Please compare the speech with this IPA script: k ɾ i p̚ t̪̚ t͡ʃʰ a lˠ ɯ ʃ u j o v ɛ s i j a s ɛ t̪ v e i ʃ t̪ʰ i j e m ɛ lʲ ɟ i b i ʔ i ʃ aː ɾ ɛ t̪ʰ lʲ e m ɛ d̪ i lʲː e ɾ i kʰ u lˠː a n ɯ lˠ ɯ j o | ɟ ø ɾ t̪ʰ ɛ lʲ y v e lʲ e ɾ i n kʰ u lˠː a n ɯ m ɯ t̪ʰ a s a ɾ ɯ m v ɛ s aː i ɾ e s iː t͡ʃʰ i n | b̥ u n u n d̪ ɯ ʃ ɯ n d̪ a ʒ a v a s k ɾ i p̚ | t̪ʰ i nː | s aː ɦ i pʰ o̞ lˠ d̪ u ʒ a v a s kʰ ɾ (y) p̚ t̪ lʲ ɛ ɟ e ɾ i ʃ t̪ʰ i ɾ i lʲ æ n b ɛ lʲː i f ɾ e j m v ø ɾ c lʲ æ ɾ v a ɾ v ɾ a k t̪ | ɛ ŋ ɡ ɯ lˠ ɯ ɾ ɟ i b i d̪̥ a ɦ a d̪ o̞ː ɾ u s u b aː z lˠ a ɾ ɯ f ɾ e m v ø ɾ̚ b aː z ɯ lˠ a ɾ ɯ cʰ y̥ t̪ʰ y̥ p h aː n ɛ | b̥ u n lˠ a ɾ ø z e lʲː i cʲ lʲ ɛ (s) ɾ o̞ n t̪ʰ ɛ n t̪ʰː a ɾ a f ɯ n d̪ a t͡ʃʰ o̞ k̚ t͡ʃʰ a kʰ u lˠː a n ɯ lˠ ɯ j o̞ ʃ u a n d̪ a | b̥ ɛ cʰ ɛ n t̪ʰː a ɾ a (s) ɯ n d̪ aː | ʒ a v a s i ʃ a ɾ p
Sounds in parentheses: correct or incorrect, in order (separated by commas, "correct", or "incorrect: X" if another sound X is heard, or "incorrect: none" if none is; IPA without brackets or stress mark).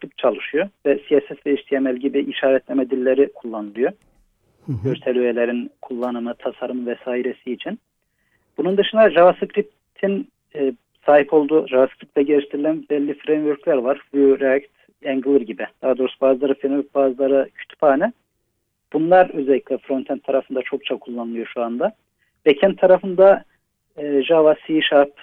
incorrect: i, incorrect: f, incorrect: f